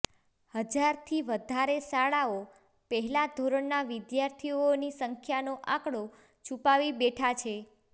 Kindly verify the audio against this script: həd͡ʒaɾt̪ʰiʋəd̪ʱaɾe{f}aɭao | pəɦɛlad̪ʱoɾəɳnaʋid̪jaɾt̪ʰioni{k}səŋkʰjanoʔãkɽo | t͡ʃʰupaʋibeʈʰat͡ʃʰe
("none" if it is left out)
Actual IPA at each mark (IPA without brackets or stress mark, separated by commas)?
s, none